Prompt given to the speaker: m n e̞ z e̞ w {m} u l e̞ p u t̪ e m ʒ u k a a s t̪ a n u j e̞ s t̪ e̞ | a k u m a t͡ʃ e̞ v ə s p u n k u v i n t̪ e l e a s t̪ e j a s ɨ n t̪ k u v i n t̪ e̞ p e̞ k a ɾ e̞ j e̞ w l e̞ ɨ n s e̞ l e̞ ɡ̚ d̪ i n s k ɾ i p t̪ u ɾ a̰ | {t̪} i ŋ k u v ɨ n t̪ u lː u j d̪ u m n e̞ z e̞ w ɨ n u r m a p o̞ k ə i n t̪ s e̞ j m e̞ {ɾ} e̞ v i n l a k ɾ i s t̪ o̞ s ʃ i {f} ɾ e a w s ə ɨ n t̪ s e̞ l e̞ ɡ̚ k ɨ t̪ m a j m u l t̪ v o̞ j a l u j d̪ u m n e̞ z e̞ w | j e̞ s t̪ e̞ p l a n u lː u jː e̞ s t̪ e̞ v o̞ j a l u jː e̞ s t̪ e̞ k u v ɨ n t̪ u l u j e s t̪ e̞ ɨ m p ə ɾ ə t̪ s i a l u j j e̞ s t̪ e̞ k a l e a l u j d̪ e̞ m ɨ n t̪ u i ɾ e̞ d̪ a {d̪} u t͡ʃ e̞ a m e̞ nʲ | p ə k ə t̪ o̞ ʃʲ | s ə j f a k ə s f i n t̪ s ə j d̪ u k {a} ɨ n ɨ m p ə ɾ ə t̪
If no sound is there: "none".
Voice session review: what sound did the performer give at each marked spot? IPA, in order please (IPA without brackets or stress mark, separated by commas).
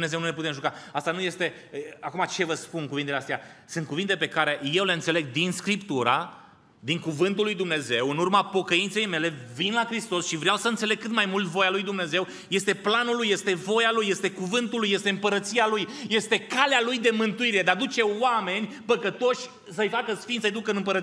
n, d̪, l, v, d̪, ə